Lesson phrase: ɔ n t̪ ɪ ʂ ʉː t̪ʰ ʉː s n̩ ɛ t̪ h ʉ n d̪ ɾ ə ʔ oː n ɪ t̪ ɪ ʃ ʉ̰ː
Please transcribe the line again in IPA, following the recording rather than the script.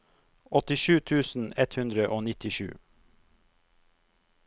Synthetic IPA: ɔ t̪ ɪ ʃ ʉː t̪ʰ ʉː s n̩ ɛ t̪ h ʉ n d̪ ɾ ə ʔ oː n ɪ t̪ ɪ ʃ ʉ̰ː